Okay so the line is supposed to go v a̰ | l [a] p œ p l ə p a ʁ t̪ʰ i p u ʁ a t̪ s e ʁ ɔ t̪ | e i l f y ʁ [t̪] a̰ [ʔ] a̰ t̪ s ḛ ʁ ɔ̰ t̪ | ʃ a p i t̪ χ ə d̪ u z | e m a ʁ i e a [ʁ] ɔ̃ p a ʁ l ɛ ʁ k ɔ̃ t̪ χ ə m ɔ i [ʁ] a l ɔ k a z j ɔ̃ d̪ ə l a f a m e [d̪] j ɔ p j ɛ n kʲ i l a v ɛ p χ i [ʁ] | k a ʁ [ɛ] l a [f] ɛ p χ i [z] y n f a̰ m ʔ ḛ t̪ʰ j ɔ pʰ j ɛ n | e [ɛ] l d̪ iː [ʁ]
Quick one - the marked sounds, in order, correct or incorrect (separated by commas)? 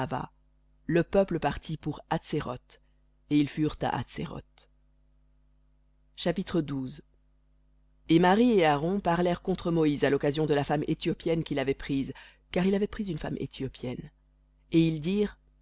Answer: incorrect, correct, correct, correct, incorrect, incorrect, incorrect, incorrect, incorrect, correct, incorrect, correct